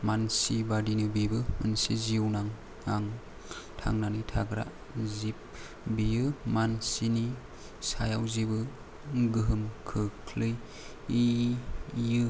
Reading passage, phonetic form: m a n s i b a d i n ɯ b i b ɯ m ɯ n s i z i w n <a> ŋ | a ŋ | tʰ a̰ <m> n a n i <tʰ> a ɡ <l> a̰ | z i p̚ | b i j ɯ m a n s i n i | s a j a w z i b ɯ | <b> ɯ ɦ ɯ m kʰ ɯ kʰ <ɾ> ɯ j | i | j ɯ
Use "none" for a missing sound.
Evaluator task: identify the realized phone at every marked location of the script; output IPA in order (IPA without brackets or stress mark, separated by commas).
a, ŋ, tʰ, ɾ, ɡ, l